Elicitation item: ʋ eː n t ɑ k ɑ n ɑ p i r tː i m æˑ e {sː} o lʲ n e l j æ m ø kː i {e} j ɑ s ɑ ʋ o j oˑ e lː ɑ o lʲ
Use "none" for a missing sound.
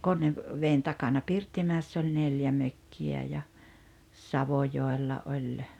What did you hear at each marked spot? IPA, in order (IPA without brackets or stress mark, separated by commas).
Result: sː, æ